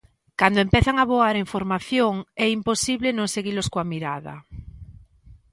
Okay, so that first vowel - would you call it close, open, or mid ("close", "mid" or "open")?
open